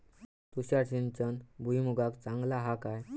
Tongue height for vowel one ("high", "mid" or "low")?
high